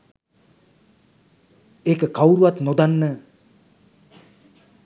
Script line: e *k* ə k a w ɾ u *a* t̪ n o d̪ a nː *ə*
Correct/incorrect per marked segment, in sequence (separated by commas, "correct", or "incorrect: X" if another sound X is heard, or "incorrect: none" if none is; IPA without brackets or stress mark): correct, correct, correct